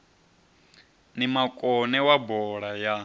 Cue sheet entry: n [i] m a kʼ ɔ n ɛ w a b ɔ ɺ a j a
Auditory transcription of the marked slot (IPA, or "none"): i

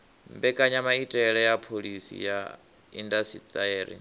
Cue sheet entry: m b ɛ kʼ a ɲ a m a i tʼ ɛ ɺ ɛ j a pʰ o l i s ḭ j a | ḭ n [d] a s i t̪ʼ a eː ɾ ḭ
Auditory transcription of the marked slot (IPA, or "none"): d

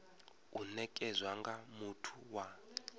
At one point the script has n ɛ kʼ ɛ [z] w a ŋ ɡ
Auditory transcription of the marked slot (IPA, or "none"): z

